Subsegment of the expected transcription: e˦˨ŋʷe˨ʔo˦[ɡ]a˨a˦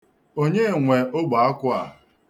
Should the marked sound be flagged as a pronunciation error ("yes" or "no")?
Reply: yes